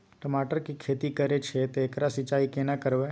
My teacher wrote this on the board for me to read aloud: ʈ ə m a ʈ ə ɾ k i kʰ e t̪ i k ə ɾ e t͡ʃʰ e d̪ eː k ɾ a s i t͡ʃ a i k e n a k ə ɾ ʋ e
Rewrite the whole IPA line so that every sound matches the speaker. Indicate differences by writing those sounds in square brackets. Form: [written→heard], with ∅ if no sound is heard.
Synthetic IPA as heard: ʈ ə m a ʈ ə ɾ k i kʰ e t̪ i k ə ɾ e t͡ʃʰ e [d̪→t̪] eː k ɾ a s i t͡ʃ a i k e n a k ə ɾ ʋ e